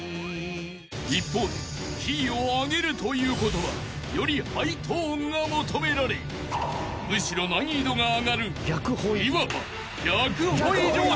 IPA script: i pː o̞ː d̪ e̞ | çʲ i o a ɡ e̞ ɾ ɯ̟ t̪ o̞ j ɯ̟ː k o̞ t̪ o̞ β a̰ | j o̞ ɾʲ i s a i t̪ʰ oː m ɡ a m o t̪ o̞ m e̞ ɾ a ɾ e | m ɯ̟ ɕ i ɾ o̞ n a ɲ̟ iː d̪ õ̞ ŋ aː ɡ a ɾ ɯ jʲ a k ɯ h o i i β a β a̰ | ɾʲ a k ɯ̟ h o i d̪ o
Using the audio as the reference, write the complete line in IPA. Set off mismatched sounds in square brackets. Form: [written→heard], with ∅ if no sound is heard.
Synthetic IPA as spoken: i pː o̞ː d̪ e̞ | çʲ i o a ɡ e̞ ɾ ɯ̟ t̪ o̞ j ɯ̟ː k o̞ t̪ o̞ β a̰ | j o̞ ɾʲ i [s→h] a i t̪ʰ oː [m→ŋ] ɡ a m o t̪ o̞ m e̞ ɾ a ɾ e | m ɯ̟ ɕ i ɾ o̞ n a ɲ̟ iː d̪ [õ̞→o̞] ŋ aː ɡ a ɾ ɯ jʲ a k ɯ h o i i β a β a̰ | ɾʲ a k ɯ̟ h o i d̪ o